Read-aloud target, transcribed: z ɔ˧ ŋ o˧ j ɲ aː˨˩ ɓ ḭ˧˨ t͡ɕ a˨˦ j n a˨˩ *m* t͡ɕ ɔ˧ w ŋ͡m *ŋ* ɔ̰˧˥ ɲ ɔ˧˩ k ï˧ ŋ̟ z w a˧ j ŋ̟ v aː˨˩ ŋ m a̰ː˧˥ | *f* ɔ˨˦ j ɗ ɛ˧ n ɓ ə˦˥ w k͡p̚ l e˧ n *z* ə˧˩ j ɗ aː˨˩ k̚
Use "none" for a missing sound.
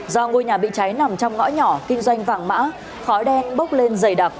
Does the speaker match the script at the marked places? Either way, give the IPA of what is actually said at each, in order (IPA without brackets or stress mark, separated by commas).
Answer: m, ŋ, x, z